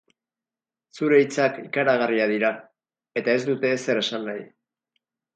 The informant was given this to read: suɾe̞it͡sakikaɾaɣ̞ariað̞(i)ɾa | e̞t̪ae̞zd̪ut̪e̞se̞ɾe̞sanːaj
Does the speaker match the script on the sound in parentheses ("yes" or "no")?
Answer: yes